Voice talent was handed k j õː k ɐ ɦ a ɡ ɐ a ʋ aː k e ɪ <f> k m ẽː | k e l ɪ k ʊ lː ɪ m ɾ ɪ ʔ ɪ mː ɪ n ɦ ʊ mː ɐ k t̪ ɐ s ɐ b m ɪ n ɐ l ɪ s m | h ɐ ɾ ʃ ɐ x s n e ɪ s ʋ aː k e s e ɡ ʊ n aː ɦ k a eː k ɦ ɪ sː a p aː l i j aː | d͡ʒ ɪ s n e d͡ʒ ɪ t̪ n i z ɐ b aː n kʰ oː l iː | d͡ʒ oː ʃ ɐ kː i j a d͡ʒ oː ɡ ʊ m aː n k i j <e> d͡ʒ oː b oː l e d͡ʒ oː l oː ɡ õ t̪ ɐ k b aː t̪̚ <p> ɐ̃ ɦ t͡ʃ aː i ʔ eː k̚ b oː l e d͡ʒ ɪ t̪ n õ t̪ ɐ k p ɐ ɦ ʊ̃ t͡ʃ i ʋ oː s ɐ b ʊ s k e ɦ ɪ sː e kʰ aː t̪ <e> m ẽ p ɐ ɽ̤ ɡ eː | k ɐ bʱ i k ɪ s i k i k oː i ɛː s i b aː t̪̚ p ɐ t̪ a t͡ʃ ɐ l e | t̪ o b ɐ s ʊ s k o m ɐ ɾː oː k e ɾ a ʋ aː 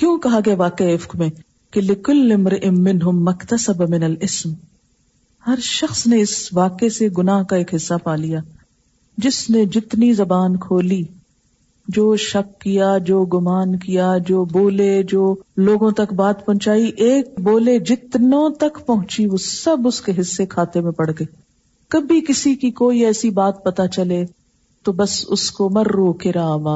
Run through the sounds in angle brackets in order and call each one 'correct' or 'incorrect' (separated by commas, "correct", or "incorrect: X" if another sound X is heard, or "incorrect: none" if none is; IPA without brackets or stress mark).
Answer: correct, incorrect: a, correct, correct